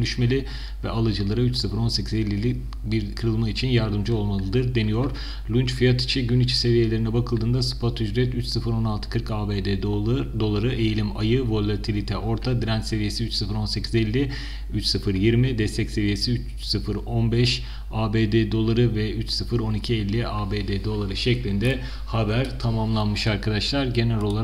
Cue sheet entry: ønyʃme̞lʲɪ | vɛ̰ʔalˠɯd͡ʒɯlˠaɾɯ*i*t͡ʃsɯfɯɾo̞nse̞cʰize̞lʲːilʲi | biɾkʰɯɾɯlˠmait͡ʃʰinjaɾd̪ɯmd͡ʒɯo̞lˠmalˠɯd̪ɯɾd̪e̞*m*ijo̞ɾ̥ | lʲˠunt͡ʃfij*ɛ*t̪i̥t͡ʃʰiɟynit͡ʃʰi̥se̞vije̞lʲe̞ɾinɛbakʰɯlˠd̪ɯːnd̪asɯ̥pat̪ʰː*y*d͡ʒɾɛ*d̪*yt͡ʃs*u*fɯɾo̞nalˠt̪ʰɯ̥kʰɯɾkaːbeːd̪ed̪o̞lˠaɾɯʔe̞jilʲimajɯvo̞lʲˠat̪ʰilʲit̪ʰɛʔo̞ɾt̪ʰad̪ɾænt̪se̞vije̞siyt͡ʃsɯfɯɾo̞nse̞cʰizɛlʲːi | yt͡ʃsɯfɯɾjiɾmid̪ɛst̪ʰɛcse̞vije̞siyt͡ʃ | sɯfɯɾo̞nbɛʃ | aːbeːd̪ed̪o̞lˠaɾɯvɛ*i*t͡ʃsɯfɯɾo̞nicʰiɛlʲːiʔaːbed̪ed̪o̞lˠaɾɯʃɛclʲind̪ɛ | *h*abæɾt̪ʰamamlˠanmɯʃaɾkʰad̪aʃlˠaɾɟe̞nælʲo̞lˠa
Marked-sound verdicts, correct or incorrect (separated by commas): incorrect, incorrect, incorrect, correct, incorrect, incorrect, incorrect, correct